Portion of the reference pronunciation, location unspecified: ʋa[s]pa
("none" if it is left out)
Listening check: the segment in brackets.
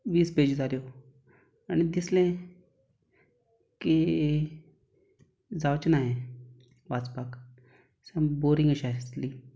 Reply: t͡s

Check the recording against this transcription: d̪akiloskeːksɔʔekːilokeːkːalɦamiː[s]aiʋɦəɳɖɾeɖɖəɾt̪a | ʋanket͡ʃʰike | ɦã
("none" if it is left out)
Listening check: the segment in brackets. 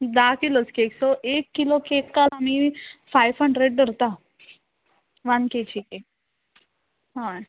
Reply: f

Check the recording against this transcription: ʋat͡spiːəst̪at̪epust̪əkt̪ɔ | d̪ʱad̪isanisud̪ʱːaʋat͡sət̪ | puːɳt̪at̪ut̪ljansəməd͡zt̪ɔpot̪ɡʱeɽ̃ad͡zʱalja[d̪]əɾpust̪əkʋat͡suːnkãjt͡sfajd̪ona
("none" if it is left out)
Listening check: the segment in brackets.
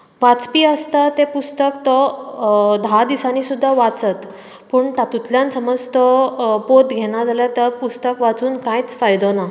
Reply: t̪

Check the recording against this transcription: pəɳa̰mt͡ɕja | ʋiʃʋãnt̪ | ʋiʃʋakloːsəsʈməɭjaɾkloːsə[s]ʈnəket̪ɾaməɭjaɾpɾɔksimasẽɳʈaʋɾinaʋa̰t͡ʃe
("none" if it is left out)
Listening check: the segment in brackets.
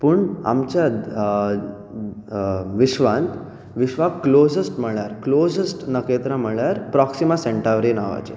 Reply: s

